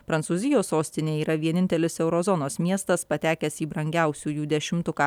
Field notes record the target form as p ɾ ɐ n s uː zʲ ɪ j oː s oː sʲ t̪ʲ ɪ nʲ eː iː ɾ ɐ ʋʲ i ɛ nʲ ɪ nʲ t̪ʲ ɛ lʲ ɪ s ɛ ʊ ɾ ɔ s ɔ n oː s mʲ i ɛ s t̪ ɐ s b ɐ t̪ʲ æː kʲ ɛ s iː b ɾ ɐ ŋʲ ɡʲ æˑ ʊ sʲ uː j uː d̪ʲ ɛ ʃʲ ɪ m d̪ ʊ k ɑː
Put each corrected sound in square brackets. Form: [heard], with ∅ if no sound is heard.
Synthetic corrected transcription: p ɾ ɐ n s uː zʲ ɪ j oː s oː sʲ t̪ʲ ɪ nʲ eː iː ɾ ɐ ʋʲ i ɛ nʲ ɪ nʲ t̪ʲ ɛ lʲ ɪ s ɛ ʊ ɾ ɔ [z] ɔ n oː s mʲ i ɛ s t̪ ɐ s [p] ɐ t̪ʲ æː kʲ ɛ s iː b ɾ ɐ ŋʲ ɡʲ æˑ ʊ sʲ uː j uː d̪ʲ ɛ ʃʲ ɪ m [t̪] ʊ k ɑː